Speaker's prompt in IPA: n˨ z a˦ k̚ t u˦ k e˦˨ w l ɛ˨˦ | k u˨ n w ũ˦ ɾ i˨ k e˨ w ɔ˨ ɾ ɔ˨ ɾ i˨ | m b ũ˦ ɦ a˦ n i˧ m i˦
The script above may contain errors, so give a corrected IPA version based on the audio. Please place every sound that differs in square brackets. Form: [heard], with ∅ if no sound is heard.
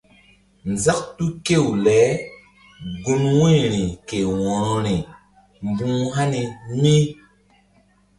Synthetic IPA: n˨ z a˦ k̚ t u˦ k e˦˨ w l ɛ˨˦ | [ɡ] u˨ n w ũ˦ ɾ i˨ k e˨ w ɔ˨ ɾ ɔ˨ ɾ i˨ | m b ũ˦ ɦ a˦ n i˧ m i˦